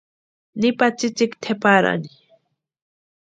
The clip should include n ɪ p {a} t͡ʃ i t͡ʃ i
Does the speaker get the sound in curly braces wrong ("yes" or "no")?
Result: no